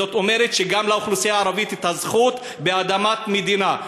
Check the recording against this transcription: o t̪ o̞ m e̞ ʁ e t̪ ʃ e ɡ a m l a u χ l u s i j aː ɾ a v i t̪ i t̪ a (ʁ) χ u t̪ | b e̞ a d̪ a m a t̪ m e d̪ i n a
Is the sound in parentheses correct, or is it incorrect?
incorrect